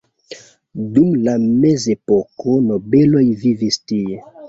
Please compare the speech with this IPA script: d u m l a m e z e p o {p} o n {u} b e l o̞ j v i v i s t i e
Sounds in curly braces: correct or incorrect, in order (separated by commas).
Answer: incorrect, incorrect